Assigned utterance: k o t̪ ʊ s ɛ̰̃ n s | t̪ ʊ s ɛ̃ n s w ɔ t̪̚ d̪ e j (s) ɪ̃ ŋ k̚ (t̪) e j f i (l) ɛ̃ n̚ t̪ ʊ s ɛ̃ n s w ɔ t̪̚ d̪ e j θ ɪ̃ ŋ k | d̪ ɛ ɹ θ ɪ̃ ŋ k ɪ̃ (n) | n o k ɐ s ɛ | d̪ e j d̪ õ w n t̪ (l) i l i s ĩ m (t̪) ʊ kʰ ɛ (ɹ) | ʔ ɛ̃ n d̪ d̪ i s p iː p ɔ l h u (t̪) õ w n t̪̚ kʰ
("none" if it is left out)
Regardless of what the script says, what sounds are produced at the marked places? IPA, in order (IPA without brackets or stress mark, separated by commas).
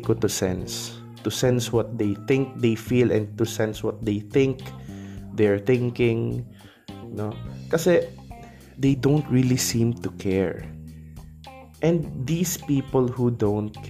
θ, d̪, l, ŋ, ɹ, t̪, ɹ, d̪